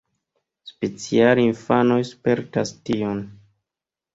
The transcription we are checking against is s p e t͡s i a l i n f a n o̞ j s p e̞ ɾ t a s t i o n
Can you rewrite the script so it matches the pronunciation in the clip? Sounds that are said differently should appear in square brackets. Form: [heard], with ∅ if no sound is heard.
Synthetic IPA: s p e t͡s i a l i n f a n o̞ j s p e̞ ɾ t a s t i o n